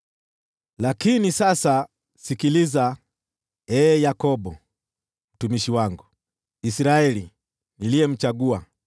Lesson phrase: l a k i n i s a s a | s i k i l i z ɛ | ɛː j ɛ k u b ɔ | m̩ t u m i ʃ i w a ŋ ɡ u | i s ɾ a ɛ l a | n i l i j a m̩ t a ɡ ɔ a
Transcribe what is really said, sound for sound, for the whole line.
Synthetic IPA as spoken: l a k i n i s a s a | s i k i l i z a | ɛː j a k ɔ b ɔ | m̩ t u m i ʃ i w a ŋ ɡ u | i s ɾ a ɛ l i | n i l i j ɛ m̩ t͡ʃ a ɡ u a